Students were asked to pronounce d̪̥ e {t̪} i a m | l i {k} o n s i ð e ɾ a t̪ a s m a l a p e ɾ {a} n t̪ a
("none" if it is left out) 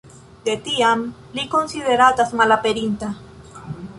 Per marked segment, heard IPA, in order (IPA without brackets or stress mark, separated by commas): t̪, k, i